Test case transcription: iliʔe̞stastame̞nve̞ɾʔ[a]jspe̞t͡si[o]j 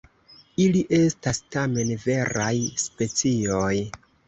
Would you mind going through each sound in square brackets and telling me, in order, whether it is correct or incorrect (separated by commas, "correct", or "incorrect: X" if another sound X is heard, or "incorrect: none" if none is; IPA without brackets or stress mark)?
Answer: correct, correct